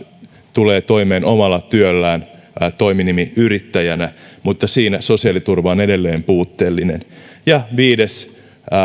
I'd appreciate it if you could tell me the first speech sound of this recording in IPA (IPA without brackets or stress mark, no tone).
t̪